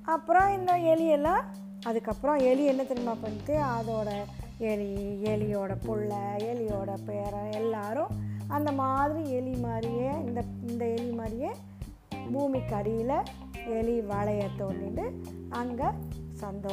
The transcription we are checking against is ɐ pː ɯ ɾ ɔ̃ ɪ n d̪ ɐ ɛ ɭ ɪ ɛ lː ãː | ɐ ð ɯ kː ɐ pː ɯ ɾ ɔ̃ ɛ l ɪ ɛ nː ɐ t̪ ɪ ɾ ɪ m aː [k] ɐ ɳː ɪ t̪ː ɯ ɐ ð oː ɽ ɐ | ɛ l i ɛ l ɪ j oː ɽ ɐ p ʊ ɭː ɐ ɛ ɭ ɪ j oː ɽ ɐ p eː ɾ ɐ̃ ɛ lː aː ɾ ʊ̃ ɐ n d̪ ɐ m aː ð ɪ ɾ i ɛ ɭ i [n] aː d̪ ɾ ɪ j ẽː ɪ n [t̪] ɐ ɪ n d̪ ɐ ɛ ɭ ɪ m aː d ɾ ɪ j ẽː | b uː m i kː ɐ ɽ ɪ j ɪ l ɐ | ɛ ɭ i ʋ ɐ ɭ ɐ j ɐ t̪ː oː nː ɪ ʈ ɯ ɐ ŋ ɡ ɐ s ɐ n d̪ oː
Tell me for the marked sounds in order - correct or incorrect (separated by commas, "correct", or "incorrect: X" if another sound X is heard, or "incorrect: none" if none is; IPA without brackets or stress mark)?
incorrect: p, incorrect: m, incorrect: d̪